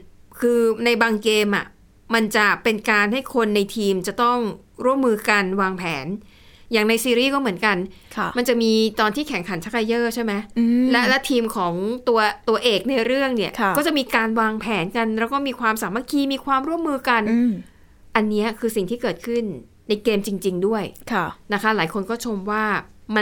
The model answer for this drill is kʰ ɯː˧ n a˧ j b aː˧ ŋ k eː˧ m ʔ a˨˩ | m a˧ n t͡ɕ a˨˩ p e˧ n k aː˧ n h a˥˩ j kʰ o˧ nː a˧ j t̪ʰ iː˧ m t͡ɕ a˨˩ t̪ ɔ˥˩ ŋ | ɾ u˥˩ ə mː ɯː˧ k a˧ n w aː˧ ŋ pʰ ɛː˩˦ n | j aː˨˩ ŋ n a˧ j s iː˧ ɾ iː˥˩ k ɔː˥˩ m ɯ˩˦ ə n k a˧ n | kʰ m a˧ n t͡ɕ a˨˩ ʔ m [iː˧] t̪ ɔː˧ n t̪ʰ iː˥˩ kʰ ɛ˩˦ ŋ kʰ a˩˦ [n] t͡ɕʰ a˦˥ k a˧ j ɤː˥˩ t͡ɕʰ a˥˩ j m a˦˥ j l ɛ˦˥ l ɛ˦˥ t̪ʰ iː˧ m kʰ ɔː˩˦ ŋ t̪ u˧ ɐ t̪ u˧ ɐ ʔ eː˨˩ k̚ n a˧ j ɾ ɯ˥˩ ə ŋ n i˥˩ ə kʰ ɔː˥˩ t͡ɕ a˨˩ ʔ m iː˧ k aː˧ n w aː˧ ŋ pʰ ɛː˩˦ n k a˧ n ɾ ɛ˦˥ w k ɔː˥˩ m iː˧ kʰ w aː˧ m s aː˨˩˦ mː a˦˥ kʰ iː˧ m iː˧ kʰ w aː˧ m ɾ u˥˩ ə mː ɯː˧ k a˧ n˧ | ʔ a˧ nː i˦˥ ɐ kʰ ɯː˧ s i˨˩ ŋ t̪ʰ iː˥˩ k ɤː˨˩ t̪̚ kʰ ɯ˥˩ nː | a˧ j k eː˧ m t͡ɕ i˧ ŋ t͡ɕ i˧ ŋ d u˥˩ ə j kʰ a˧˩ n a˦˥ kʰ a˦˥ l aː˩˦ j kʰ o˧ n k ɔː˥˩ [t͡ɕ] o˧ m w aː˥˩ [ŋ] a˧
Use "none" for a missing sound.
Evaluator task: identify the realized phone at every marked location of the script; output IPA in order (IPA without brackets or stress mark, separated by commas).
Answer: iː˧, n, t͡ɕʰ, m